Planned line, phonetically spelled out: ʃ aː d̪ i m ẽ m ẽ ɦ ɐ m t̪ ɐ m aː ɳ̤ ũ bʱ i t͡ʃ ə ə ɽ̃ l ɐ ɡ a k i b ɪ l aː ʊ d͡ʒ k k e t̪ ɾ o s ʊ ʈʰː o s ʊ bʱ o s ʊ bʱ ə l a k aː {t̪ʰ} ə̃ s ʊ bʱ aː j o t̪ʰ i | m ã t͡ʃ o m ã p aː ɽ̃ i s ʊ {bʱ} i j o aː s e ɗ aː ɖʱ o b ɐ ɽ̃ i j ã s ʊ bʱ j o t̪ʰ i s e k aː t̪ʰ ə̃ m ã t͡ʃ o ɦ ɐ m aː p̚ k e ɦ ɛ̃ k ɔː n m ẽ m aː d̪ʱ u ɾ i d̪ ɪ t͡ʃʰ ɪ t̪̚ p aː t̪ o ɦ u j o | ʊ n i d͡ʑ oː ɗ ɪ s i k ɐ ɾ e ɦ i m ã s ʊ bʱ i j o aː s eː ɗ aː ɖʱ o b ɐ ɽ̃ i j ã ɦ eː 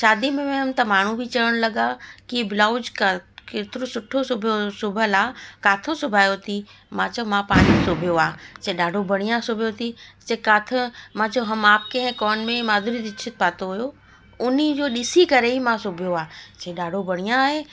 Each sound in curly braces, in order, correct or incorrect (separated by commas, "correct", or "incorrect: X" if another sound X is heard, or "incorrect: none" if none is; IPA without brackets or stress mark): correct, correct